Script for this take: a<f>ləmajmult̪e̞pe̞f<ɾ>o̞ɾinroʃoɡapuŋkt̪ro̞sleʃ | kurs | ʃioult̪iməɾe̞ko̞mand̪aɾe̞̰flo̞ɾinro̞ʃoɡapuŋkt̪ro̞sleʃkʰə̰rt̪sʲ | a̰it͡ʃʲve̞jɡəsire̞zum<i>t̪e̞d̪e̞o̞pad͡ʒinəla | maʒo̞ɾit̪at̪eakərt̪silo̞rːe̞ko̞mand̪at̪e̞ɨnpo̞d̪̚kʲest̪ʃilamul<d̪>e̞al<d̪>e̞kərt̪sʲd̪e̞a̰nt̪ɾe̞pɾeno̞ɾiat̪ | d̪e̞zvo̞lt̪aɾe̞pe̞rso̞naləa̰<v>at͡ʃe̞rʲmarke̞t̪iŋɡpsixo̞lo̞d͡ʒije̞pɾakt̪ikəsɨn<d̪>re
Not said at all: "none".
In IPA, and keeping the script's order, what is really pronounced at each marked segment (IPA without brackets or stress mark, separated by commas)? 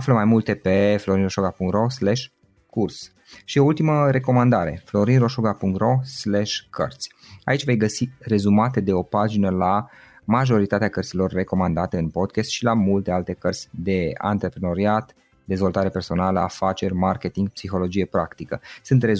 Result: f, l, a, t̪, t̪, f, t̪